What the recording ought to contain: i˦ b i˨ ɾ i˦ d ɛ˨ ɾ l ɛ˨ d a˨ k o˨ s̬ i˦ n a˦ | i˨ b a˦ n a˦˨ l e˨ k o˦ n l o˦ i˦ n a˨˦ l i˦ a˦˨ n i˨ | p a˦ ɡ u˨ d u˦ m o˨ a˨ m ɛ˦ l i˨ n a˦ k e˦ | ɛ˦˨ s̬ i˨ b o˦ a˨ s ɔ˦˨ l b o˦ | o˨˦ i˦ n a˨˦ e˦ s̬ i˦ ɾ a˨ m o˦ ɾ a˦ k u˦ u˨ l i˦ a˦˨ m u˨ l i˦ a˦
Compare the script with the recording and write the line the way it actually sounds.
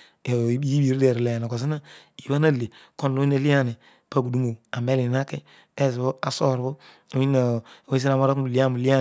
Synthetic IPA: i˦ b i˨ ɾ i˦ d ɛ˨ ɾ l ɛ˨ n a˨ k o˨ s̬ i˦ n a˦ | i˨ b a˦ n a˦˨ l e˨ k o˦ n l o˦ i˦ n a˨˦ l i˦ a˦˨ n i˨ | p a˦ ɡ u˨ d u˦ m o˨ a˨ m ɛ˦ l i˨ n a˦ k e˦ | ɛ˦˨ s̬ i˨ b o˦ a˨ s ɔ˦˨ ɾ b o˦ | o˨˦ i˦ n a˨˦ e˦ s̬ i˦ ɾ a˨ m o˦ ɾ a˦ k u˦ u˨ l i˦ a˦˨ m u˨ l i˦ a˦